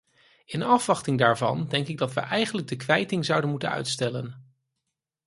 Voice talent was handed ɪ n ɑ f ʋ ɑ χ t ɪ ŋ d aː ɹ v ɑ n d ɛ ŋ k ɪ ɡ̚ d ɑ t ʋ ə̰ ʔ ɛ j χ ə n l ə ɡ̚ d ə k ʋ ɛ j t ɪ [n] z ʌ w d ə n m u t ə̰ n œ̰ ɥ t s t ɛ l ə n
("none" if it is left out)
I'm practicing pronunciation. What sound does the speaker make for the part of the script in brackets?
ŋ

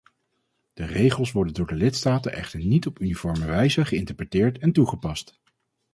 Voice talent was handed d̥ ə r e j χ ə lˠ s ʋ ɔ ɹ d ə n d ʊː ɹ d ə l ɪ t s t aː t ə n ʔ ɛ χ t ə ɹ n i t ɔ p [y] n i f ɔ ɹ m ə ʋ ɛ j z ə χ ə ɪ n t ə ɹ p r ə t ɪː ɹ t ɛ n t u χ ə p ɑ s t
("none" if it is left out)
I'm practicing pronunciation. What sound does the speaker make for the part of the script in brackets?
y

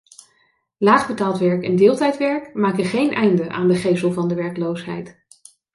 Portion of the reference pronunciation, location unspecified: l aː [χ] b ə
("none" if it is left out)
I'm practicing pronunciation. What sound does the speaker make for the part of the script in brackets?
χ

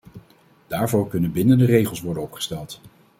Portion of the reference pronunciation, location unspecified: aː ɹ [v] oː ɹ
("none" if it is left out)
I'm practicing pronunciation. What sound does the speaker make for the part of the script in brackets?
v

